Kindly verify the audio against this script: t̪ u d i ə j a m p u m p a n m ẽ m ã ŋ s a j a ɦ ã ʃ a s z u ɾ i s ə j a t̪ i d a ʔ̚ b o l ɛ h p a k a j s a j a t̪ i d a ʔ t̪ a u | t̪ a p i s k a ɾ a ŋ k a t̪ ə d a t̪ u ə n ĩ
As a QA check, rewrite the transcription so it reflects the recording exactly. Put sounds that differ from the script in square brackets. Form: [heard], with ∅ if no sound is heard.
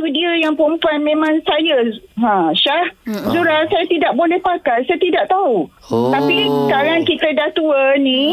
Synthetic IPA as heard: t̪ u d i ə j a [ŋ] p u m p a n m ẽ m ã ŋ s a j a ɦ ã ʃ a [h] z u ɾ [a] s [a] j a t̪ i d a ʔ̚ b o l ɛ h p a k a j s a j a t̪ i d a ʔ t̪ a u | t̪ a p i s k a ɾ a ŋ k [i] t̪ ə d a t̪ u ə n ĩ